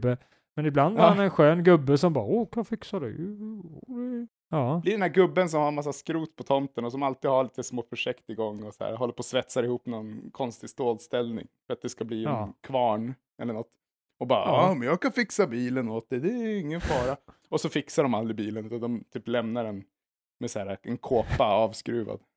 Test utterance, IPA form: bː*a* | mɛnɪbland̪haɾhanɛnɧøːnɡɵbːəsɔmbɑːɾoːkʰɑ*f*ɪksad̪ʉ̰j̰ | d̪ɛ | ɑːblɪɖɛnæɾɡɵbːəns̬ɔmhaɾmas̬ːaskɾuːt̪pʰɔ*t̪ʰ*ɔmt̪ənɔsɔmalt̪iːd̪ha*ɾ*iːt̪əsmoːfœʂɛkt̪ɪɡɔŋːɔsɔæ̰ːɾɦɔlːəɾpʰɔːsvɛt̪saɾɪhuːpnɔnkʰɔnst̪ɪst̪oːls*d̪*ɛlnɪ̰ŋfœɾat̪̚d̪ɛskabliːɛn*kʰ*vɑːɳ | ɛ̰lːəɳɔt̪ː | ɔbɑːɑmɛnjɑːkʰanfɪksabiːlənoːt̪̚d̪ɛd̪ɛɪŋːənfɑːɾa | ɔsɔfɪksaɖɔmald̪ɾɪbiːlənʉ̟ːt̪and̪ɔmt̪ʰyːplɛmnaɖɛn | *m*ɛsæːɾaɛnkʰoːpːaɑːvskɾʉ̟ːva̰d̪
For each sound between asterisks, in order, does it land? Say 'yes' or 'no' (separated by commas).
no, yes, yes, no, no, yes, yes